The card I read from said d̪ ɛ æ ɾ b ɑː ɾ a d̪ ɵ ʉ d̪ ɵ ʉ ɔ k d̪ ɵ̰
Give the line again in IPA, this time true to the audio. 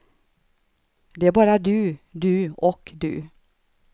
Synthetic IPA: d̪ ɛ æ ɾ b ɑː ɾ a d̪ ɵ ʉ d̪ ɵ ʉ ɔ k d̪ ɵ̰